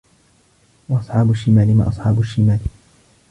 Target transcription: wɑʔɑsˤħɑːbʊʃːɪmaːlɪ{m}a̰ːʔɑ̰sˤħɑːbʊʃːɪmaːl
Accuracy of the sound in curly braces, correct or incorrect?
correct